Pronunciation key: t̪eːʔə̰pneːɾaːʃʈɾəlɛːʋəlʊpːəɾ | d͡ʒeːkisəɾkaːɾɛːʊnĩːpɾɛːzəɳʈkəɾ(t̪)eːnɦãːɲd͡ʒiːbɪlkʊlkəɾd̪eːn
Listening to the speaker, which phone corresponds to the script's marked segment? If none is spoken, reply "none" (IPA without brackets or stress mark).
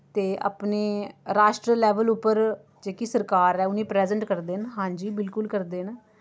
d̪